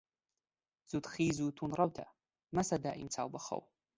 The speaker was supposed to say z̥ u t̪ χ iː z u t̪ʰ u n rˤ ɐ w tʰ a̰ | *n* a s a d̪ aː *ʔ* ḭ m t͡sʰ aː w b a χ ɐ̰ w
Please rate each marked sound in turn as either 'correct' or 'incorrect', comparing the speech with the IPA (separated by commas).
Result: incorrect, correct